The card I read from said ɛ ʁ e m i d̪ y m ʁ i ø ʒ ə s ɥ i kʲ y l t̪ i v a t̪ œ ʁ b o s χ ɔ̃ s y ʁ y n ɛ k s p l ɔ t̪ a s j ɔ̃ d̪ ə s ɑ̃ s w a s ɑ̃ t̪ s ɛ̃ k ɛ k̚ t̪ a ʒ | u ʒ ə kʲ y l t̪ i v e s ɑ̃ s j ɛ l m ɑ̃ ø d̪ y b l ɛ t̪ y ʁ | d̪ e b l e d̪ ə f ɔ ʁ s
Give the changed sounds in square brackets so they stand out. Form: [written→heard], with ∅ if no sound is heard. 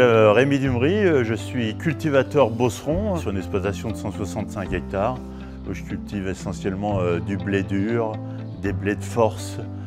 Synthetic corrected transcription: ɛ ʁ e m i d̪ y m ʁ i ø ʒ ə s ɥ i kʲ y l t̪ i v a t̪ œ ʁ b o s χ ɔ̃ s y ʁ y n ɛ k s p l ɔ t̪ a s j ɔ̃ d̪ ə s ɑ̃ s w a s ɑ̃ t̪ s ɛ̃ k ɛ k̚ t̪ a [ʒ→ʁ] | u ʒ ə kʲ y l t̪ i v e s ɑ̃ s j ɛ l m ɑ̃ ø d̪ y b l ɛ [t̪→d̪] y ʁ | d̪ e b l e d̪ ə f ɔ ʁ s